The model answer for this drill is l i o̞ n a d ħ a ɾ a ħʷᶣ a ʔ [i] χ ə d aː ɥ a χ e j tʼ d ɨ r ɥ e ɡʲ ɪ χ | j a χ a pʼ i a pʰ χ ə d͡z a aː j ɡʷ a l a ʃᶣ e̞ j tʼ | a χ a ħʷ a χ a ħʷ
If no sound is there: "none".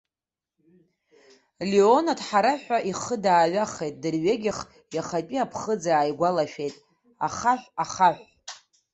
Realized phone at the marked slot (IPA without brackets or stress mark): i